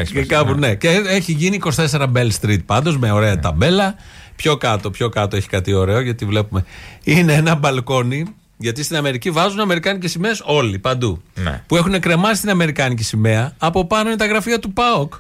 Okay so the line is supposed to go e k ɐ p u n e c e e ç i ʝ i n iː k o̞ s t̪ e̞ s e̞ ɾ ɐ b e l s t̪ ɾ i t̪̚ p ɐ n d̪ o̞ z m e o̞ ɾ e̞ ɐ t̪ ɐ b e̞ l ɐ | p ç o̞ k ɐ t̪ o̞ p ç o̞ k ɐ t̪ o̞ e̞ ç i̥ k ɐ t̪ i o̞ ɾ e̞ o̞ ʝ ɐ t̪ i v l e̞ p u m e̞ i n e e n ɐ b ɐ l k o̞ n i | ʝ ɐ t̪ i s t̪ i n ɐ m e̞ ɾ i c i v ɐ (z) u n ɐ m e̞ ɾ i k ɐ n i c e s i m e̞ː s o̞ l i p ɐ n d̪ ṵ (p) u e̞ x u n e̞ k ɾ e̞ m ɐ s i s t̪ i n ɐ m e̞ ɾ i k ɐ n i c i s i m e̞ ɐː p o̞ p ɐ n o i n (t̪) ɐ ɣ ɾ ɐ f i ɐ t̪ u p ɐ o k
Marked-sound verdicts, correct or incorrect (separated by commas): correct, correct, correct